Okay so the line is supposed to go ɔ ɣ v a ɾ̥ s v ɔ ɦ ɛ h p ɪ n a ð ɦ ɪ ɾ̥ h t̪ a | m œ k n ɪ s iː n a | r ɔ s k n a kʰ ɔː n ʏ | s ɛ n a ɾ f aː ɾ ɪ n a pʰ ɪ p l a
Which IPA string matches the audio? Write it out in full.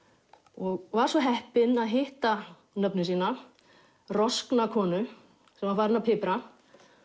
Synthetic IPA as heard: ɔ ɣ v a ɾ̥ s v ɔ ɦ ɛ h p ɪ n a ð ɦ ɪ h t̪ a | n œ p n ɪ s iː n a | r ɔ s k n a kʰ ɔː n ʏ | s ɛ m a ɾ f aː ɾ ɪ n a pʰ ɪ p ɾ a